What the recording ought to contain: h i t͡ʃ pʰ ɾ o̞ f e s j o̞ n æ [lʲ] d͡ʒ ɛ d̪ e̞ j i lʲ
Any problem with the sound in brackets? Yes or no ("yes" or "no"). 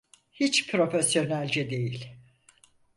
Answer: no